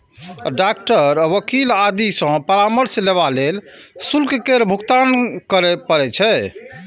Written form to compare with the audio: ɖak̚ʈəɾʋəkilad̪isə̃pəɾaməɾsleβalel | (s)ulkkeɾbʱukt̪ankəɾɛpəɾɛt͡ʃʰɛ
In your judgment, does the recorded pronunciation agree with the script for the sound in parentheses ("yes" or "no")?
yes